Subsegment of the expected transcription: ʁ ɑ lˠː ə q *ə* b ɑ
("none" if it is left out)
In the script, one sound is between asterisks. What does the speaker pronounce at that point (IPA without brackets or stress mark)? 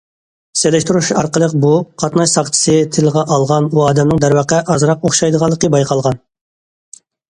ə